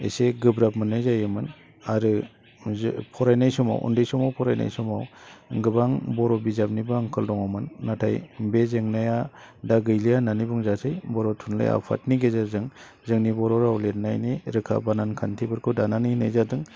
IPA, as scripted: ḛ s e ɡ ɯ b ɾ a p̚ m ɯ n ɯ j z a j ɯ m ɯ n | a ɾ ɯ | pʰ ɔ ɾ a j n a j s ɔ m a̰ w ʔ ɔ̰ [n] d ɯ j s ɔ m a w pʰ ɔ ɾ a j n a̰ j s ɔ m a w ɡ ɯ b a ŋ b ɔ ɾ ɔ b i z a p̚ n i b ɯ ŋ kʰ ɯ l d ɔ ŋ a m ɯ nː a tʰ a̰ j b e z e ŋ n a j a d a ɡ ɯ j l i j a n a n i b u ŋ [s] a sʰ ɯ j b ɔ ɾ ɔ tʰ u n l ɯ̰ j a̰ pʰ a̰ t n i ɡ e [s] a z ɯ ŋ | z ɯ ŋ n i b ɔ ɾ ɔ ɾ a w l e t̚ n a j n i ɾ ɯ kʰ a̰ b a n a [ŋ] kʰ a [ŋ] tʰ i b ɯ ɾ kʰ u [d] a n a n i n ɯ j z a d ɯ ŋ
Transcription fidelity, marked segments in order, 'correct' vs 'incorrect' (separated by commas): correct, incorrect, incorrect, incorrect, incorrect, correct